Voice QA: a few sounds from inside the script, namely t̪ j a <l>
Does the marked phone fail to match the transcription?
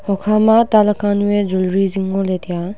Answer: yes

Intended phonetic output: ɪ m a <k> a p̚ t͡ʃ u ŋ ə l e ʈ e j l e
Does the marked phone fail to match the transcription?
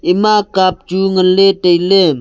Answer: no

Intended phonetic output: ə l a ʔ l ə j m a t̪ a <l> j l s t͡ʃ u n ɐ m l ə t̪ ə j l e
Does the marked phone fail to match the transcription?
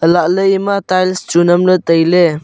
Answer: yes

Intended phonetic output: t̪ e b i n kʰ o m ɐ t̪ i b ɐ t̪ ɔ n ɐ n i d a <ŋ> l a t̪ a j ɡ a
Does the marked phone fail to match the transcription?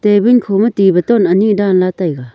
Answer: yes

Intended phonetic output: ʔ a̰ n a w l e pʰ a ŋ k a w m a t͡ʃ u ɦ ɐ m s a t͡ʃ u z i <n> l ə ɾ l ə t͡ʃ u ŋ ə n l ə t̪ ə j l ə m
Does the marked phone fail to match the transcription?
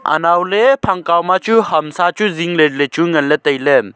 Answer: yes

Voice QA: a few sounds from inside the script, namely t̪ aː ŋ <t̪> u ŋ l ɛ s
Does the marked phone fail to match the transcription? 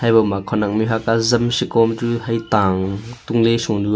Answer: no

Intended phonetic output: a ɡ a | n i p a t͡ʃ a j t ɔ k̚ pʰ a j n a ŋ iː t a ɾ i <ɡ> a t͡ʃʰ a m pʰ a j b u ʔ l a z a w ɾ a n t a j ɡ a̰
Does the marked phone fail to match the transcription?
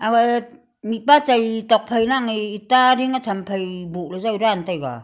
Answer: yes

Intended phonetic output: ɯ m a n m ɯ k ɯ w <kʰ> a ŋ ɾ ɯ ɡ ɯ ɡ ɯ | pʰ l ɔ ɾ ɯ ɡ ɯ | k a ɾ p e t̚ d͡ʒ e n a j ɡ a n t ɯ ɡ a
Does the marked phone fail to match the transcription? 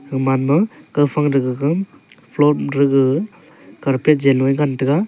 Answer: yes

